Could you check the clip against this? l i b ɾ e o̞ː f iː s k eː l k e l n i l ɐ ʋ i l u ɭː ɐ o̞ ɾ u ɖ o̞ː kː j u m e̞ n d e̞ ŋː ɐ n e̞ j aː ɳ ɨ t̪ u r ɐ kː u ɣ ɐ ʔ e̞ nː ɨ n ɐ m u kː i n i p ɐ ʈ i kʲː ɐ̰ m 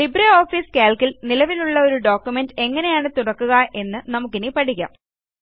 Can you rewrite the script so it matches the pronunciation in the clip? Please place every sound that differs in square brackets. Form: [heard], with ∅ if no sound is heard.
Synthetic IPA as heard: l i b ɾ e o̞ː f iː s k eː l k [i] l n i l ɐ ʋ i l u ɭː ɐ o̞ ɾ u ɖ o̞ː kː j u m e̞ n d e̞ ŋː ɐ n e̞ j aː ɳ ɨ t̪ u [ɽ] ɐ kː u ɣ ɐ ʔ e̞ nː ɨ n ɐ m u kː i n i p ɐ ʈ i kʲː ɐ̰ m